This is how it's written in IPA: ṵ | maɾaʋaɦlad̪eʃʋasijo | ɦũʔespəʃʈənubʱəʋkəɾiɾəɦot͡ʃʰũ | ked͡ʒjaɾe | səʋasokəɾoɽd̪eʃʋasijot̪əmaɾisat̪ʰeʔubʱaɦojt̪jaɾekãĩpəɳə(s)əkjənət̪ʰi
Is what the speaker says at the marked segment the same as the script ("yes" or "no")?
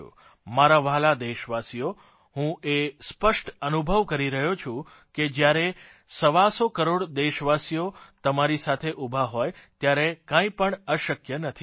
no